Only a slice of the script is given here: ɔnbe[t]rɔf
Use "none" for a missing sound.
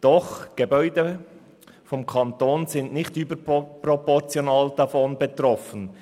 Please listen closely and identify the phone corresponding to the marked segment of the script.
t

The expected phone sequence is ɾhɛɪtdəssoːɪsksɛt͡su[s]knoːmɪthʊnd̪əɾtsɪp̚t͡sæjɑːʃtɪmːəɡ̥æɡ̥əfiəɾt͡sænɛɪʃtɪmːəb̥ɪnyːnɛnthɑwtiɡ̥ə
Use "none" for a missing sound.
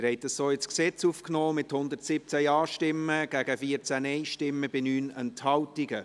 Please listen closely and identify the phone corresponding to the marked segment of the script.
f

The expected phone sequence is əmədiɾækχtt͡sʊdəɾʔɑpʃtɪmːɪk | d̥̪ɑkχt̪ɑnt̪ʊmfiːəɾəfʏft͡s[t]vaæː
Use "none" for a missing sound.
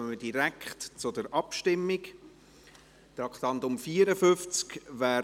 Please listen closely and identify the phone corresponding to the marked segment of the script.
k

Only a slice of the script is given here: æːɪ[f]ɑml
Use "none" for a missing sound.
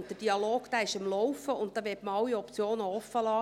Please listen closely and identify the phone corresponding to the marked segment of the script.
ʃ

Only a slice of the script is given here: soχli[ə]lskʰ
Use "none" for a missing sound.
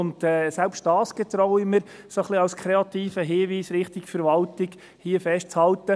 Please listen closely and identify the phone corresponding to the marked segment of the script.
ɑ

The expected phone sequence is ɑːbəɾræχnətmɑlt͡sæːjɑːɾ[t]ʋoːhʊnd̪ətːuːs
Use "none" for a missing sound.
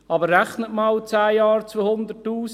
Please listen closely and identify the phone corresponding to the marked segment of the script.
t͡s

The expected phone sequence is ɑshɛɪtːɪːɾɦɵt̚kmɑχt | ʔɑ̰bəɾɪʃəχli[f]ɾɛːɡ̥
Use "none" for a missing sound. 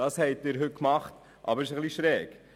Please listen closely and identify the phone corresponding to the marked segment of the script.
ʃ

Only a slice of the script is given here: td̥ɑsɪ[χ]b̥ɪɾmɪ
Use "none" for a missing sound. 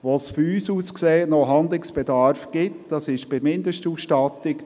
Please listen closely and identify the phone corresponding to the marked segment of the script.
ʃ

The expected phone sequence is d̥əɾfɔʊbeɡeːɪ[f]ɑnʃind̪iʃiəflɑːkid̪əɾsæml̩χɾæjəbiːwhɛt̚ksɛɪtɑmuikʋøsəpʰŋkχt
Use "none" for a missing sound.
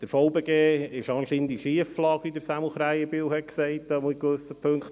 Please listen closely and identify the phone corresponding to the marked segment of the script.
ʃ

